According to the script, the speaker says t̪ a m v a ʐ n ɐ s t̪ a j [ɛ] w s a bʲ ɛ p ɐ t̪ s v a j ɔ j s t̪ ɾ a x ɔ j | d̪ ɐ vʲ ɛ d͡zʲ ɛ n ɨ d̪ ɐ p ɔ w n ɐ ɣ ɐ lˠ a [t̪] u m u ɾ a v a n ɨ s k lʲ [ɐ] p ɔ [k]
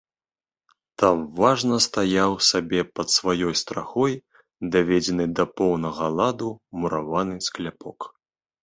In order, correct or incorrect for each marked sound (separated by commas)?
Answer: incorrect, incorrect, incorrect, correct